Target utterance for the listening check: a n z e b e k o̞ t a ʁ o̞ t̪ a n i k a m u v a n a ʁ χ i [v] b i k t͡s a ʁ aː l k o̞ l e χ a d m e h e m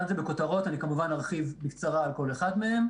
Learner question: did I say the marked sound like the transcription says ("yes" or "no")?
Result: yes